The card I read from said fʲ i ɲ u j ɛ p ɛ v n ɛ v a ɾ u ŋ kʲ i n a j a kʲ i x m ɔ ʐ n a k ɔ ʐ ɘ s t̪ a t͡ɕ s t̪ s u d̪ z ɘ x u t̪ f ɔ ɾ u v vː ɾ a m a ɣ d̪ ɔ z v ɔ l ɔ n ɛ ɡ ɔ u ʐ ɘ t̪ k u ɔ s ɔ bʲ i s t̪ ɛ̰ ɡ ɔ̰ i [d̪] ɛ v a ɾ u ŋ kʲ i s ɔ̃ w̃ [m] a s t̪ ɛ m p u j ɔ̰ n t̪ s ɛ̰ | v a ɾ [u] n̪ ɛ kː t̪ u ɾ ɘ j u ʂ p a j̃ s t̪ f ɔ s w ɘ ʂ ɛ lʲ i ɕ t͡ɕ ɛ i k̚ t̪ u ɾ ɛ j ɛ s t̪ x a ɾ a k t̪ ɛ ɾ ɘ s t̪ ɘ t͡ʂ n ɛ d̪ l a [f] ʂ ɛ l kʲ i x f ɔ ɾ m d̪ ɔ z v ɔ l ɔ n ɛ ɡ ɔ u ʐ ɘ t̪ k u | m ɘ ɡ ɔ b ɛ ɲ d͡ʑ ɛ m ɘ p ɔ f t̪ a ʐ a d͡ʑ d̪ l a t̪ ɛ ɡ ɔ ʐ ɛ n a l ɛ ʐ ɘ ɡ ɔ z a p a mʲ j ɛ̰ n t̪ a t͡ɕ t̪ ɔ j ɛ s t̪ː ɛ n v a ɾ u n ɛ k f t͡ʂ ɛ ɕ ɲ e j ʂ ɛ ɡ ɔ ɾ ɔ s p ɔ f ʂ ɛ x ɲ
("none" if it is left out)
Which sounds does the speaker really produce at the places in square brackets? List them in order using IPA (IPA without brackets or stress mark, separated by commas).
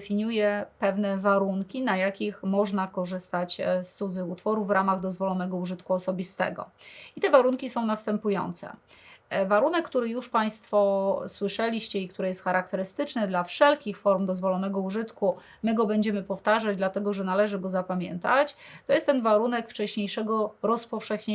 t̪, n, u, f